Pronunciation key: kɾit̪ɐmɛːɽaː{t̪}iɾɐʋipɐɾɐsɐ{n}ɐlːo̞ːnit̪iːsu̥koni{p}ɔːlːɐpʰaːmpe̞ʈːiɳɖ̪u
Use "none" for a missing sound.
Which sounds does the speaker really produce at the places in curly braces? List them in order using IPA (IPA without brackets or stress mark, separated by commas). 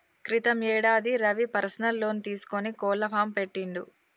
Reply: d̪, n, k